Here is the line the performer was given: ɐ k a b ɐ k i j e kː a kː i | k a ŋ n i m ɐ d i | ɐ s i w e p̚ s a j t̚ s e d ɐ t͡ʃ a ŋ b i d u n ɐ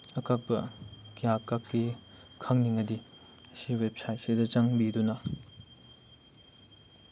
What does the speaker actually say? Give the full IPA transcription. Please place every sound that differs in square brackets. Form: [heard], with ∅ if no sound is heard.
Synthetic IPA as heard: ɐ k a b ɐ k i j [a] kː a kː i | [kʰ] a ŋ n i [ŋ] ɐ d i | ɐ s i w e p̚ s a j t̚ s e d ɐ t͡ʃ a ŋ b i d u n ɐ